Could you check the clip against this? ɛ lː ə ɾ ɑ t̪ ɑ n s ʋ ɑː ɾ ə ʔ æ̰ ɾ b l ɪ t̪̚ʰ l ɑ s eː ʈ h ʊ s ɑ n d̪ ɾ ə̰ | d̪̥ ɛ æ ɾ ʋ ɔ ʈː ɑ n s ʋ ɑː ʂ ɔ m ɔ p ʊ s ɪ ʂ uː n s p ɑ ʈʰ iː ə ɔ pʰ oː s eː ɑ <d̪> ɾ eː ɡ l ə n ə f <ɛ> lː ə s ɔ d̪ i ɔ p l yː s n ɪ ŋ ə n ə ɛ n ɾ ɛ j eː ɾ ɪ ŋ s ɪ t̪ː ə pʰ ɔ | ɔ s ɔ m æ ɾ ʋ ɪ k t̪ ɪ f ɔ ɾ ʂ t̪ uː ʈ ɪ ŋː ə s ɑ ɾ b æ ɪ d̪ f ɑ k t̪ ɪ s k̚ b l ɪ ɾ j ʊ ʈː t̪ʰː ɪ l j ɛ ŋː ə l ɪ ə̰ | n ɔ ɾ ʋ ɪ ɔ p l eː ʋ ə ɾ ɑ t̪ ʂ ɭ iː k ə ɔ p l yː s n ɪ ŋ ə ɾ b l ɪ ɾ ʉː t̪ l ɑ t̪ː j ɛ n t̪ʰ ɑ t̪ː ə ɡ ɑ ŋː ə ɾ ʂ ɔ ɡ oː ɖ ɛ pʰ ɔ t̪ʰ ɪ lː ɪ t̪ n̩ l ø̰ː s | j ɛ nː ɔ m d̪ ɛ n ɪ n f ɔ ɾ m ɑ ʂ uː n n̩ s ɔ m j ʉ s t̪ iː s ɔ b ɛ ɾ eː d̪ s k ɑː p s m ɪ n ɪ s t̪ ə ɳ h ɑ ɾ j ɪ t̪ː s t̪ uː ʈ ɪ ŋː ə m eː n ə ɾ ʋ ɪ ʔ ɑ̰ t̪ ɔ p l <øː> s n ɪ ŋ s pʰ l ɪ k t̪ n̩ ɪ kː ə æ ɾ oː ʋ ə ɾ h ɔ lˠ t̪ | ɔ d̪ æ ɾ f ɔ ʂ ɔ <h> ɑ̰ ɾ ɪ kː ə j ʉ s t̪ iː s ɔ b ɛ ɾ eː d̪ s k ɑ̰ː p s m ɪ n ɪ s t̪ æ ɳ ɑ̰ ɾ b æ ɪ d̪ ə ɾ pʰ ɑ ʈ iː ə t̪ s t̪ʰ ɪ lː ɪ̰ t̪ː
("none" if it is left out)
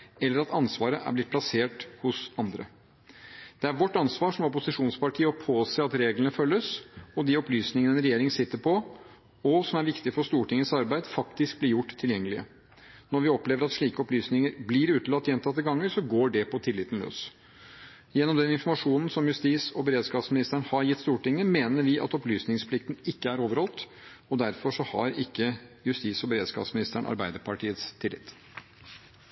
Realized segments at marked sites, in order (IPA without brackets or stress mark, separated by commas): t̪, œ, yː, h